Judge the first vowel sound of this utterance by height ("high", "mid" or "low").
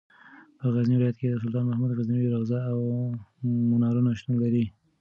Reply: mid